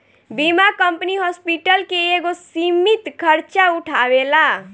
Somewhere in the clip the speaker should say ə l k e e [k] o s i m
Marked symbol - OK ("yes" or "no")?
no